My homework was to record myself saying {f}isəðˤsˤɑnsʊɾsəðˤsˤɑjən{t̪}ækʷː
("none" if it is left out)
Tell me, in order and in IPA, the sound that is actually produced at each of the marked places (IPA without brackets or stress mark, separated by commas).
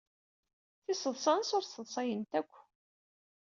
θ, t̪